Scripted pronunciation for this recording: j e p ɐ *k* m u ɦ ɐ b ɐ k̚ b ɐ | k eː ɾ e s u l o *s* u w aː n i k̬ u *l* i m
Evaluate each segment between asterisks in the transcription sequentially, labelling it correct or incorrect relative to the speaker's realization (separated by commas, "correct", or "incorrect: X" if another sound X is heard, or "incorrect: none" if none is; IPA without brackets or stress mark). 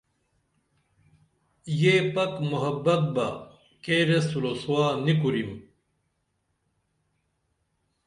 correct, correct, incorrect: ɾ